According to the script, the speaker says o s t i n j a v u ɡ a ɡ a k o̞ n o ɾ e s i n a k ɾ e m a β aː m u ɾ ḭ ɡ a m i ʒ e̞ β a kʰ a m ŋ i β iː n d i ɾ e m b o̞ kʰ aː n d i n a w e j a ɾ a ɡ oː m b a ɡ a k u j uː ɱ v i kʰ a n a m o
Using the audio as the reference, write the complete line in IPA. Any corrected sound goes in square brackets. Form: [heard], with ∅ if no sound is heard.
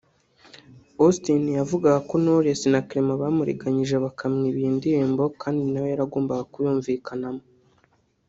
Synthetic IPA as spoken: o s t i n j a v u ɡ a ɡ a k o̞ n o ɾ e s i n a k ɾ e m a β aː m u ɾ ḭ ɡ a [ɲ] i ʒ e̞ β a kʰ a m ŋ i β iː n d i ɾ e m b o̞ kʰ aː n d i n a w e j a ɾ a ɡ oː m b a ɡ a k u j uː ɱ v i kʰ a n a m o